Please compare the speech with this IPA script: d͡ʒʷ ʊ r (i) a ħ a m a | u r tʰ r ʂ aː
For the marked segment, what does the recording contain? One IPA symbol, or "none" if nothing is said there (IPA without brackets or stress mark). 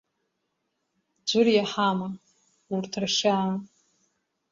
j